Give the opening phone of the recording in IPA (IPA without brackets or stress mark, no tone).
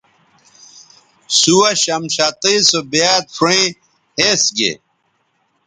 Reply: s